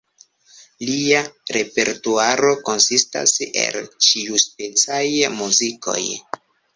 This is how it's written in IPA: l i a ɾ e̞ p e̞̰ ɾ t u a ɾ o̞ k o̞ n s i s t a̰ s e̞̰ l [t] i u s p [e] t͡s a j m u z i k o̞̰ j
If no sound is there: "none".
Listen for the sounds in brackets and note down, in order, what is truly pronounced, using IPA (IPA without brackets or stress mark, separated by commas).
t͡ʃ, e